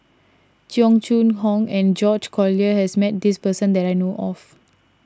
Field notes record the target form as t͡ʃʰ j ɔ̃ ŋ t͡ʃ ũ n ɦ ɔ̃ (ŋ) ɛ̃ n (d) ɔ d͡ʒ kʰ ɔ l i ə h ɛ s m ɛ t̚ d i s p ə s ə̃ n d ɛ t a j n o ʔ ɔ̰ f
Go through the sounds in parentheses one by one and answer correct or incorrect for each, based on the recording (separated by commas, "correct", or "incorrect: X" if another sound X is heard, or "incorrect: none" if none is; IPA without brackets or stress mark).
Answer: correct, incorrect: d͡ʒ